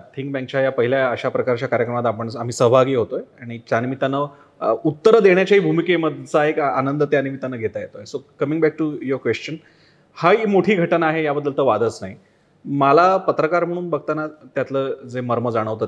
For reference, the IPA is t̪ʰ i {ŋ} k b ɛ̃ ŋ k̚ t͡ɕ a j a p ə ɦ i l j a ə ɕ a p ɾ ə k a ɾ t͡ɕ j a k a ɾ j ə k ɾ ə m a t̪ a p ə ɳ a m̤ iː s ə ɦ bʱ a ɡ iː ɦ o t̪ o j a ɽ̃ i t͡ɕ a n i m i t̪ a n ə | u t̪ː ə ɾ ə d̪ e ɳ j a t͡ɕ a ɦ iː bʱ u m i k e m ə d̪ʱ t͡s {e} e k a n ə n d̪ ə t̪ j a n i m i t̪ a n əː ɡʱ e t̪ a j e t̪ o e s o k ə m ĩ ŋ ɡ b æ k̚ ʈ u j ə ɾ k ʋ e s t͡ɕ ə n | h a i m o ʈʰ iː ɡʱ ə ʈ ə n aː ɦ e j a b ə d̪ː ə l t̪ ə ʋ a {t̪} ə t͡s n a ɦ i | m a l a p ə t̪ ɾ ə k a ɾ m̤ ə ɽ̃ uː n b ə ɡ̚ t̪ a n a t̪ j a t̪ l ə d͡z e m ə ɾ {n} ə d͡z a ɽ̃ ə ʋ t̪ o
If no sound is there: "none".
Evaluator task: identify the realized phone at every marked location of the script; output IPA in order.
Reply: ŋ, a, d̪, m

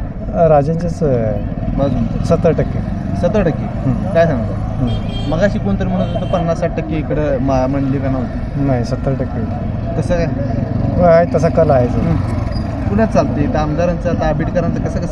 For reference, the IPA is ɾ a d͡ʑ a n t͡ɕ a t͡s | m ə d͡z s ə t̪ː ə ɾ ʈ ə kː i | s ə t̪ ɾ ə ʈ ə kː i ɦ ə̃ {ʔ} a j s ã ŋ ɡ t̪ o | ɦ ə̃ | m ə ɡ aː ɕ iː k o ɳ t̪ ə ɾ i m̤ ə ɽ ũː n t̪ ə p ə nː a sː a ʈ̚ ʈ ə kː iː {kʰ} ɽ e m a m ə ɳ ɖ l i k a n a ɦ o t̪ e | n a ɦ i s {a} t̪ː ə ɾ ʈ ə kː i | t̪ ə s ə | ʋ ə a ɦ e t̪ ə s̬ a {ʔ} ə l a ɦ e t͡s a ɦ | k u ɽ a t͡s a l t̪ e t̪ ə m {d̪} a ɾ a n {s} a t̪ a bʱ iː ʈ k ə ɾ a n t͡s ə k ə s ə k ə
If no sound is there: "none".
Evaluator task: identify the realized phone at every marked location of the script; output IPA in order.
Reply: k, k, ə, k, d̪, t͡s

